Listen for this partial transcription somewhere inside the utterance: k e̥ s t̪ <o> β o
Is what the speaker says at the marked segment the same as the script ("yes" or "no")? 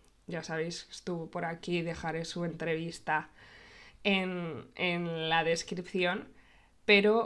no